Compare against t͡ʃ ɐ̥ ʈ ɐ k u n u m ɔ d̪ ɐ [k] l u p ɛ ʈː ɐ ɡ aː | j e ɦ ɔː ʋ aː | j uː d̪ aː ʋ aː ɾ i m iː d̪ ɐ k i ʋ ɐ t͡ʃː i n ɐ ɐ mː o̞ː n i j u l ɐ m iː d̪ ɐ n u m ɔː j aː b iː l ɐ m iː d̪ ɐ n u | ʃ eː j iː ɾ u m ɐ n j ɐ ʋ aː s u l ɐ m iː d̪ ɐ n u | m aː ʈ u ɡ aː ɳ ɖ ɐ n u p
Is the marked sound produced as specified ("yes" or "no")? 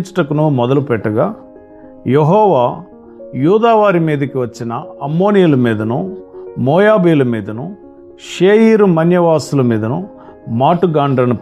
no